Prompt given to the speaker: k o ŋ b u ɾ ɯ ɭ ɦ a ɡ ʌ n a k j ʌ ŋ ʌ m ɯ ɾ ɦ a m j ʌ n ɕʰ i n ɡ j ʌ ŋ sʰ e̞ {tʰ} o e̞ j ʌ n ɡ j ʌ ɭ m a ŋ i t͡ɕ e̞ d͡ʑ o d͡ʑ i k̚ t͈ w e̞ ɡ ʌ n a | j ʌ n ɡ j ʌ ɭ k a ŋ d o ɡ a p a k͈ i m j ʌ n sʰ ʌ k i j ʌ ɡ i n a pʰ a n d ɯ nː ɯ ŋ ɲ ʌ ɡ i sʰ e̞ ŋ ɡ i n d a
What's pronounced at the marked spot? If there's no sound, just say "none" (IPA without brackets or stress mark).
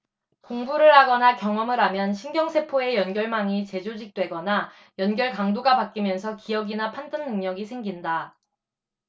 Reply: pʰ